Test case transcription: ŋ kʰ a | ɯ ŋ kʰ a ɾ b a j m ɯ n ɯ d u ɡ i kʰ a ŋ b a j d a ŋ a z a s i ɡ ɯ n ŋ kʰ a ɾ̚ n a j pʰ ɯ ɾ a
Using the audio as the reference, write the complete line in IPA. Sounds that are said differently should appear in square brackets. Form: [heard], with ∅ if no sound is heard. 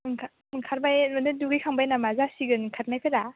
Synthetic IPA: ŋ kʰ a | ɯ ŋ kʰ a ɾ b a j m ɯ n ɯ d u ɡ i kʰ a ŋ b a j [n] a [m] a z a s i ɡ ɯ n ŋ kʰ a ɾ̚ n a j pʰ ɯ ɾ a